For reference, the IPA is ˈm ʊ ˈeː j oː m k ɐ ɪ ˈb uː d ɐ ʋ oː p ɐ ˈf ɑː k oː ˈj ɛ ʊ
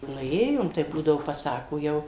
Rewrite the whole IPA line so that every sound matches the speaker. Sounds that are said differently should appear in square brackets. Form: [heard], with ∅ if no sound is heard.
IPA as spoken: [ˈn] ʊ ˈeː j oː m [t] ɐ ɪ ˈb uː d ɐ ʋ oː p ɐ [ˈs] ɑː k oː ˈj ɛ ʊ